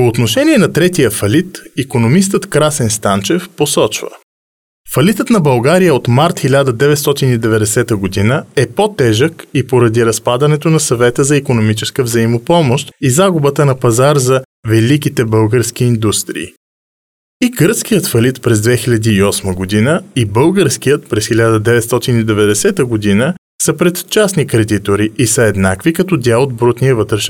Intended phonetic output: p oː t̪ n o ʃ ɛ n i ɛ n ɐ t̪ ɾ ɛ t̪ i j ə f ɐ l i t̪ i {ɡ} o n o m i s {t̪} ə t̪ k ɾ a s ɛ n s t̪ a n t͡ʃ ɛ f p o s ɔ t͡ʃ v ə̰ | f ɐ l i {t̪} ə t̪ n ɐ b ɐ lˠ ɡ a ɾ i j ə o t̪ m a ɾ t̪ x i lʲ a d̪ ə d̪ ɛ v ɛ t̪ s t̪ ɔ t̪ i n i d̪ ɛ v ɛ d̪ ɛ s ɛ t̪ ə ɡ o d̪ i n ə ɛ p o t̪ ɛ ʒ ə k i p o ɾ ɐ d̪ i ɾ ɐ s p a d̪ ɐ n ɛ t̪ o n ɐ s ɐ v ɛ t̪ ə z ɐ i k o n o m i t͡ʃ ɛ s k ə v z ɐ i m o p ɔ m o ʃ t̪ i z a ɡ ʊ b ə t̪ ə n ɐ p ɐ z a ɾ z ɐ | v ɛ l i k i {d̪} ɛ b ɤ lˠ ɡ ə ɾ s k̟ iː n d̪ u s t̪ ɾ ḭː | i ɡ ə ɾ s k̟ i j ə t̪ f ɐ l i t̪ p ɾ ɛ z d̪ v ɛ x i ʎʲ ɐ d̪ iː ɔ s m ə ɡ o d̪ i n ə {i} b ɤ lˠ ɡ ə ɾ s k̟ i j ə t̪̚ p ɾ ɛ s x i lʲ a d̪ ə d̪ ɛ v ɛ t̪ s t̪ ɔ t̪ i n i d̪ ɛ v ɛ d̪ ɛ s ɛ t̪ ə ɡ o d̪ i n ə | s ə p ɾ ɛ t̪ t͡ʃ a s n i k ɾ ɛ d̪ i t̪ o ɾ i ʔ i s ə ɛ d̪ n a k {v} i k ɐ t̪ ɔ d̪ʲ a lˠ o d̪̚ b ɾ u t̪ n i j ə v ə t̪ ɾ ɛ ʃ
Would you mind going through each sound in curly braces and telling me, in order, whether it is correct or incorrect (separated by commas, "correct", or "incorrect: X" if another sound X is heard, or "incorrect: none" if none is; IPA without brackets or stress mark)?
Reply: incorrect: k, correct, correct, incorrect: t̪, correct, correct